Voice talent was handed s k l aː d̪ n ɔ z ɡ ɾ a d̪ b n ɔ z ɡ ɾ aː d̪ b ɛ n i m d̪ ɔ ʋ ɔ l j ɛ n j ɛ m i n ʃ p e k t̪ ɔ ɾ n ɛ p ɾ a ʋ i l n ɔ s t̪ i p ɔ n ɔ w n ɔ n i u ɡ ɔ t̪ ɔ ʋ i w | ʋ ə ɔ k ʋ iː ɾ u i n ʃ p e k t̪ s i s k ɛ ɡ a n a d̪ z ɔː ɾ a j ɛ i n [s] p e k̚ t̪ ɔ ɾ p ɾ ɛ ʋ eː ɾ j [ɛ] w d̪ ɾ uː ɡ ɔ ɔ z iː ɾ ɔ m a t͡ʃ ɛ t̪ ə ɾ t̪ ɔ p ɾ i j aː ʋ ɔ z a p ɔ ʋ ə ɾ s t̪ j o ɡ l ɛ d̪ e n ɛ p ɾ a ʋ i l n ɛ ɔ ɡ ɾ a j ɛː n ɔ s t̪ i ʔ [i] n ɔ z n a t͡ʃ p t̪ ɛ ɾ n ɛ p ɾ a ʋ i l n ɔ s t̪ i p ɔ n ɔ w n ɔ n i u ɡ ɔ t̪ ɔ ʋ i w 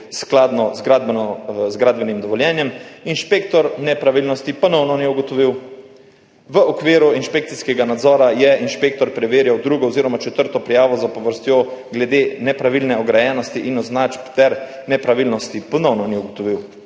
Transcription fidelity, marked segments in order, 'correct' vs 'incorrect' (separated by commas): incorrect, incorrect, correct